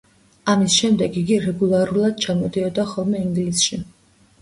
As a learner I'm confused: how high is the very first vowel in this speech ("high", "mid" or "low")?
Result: low